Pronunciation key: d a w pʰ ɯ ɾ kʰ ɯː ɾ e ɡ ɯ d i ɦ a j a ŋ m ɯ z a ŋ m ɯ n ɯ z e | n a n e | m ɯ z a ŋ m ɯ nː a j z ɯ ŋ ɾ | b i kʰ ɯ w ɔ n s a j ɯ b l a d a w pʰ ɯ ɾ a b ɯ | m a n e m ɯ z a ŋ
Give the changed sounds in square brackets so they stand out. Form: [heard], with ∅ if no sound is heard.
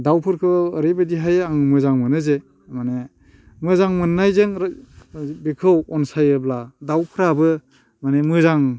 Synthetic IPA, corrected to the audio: d a w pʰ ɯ ɾ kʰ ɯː ɾ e [b] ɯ d i ɦ a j a ŋ m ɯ z a ŋ m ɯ n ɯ z e | [m] a n e | m ɯ z a ŋ m ɯ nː a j z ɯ ŋ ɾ | b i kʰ ɯ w ɔ n s a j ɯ b l a d a w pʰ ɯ ɾ a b ɯ | m a n e m ɯ z a ŋ